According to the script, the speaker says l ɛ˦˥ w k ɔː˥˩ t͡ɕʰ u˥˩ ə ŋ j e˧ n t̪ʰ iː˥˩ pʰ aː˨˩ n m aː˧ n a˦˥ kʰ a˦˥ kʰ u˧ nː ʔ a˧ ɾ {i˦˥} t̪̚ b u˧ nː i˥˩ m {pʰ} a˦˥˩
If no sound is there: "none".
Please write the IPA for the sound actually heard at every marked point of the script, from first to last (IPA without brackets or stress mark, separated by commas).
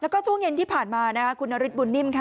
i˦˥, kʰ